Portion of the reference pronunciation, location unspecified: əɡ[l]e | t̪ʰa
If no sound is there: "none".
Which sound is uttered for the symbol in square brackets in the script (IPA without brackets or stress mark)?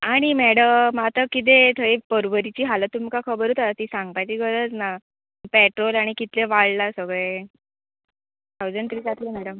ɭ